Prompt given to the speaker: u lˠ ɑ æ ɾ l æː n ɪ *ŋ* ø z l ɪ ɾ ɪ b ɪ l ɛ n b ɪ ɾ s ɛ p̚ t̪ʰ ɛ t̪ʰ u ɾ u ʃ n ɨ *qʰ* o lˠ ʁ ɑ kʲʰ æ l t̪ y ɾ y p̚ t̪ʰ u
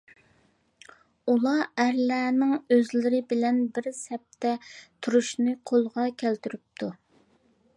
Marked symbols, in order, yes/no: yes, yes

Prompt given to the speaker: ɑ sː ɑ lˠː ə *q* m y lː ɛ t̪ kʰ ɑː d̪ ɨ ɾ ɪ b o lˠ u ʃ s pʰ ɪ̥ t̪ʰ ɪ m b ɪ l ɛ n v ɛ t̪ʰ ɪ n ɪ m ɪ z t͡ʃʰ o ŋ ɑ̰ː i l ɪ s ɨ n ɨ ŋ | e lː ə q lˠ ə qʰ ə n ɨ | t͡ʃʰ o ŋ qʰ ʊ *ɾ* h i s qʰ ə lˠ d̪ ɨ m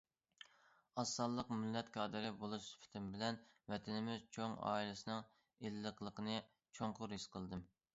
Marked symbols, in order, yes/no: yes, yes

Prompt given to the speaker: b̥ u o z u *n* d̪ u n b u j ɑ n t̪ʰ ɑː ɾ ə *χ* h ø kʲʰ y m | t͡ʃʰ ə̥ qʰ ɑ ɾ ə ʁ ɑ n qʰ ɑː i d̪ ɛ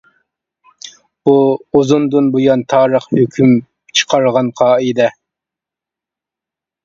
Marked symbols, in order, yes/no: yes, yes

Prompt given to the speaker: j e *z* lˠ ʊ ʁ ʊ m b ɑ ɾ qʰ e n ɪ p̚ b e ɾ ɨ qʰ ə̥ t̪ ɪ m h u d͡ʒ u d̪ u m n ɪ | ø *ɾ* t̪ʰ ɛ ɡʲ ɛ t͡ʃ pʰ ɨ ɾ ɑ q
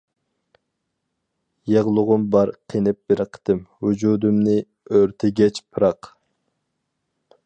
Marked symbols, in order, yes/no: no, yes

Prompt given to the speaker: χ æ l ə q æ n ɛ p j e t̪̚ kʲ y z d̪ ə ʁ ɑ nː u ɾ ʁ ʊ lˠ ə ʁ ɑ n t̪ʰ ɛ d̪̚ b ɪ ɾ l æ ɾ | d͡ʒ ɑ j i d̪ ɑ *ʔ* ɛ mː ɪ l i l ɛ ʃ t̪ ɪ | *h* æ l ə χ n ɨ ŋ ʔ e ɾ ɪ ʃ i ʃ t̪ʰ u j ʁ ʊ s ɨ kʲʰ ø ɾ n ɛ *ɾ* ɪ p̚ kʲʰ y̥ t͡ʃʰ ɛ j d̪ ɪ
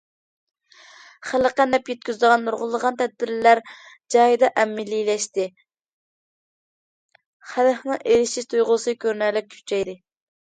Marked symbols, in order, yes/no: yes, no, no

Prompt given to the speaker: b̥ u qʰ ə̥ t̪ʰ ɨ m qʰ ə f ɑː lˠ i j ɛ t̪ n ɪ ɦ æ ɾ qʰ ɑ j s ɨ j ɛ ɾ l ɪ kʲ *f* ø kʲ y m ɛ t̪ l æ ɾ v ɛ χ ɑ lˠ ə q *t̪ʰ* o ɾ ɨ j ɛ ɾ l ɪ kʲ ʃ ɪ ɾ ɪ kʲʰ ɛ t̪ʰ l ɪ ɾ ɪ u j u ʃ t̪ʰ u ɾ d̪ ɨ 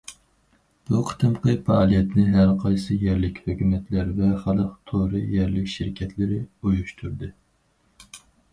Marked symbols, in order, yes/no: no, yes

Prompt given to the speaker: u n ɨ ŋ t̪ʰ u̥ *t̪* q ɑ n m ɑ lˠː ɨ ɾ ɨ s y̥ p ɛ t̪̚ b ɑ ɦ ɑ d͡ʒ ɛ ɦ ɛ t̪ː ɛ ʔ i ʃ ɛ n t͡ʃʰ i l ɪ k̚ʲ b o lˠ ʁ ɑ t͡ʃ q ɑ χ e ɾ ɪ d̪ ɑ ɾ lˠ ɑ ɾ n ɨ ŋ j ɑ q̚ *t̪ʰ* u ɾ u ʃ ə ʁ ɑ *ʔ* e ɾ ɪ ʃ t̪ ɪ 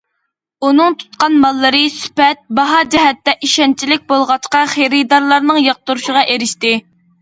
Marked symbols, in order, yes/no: yes, no, yes

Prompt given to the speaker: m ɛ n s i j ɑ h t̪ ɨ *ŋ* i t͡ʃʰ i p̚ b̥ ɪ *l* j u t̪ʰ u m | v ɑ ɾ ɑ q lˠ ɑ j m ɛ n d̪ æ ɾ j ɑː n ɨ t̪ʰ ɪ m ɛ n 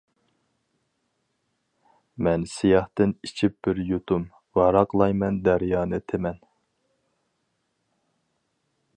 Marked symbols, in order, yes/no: no, no

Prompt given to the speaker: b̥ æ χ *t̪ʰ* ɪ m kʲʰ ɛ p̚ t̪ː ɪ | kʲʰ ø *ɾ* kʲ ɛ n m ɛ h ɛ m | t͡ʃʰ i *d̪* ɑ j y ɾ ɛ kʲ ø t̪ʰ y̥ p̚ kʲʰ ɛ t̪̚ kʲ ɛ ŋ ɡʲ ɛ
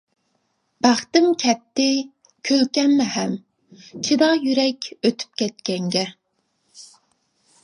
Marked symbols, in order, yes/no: no, no, yes

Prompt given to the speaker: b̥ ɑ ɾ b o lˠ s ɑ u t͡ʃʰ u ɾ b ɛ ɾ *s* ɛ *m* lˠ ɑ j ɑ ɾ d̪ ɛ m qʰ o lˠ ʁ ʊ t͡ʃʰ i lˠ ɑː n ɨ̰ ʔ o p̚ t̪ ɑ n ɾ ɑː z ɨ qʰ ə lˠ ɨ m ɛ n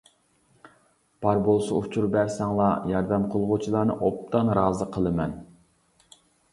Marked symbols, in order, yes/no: yes, no

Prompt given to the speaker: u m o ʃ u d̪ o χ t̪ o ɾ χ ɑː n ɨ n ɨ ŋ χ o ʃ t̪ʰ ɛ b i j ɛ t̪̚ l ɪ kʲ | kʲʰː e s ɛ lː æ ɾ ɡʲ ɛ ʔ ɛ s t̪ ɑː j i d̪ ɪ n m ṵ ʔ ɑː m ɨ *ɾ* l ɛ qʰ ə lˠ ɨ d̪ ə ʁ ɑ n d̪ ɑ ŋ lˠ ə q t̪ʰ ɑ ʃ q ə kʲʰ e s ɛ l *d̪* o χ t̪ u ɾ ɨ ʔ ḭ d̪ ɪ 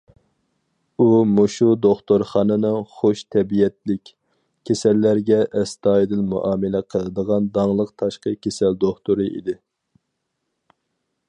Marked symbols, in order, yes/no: no, yes

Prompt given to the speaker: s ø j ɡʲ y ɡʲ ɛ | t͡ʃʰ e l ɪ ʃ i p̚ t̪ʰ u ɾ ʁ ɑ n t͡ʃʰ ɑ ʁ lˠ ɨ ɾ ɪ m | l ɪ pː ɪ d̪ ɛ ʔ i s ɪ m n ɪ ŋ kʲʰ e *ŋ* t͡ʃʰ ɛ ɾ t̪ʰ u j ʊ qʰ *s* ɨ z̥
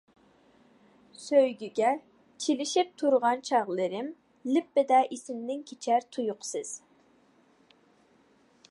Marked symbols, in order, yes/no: no, yes

